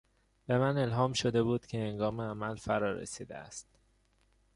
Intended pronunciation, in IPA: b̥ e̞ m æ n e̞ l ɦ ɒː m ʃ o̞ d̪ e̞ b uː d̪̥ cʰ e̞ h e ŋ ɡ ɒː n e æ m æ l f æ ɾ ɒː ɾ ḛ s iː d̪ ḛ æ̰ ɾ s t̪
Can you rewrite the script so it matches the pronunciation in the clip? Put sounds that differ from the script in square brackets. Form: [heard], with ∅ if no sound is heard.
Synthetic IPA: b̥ e̞ m æ n e̞ l ɦ ɒː m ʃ o̞ d̪ e̞ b uː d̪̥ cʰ e̞ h e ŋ ɡ ɒː [m] e æ m æ l f æ ɾ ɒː ɾ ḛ s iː d̪ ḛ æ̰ [∅] s t̪